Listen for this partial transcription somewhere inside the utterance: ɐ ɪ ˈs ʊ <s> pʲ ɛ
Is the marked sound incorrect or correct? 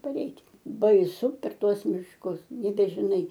incorrect